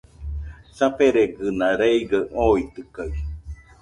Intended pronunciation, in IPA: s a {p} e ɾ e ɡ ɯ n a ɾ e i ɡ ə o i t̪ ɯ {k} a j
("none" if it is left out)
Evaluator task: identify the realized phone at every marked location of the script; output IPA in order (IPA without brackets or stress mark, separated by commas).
p, k